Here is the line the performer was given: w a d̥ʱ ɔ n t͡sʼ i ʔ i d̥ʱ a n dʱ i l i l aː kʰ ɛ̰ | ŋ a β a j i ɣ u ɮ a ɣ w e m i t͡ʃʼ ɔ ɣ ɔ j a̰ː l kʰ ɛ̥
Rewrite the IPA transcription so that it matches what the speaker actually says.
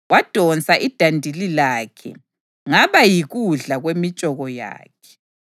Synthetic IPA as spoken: w a d̥ʱ ɔ n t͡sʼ a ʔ i d̥ʱ a n dʱ i l i l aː kʰ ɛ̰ | ŋ a β a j i ɣ u ɮ a ɣ w e m i t͡ʃʼ ɔ ɣ ɔ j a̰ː kʰ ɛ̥